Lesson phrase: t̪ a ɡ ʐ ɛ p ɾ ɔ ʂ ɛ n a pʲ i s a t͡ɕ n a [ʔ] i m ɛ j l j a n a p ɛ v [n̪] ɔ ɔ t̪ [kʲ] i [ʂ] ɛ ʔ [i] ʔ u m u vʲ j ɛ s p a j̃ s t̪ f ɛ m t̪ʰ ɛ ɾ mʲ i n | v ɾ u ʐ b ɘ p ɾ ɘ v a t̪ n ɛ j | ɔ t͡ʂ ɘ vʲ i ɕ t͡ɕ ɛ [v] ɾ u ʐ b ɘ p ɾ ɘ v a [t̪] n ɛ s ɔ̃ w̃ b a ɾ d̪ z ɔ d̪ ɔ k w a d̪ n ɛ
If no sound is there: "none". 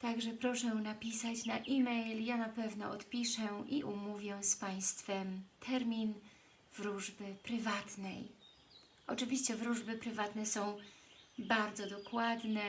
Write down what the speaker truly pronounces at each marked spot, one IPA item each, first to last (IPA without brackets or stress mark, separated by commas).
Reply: ʔ, n̪, pʲ, ʂ, i, v, t̪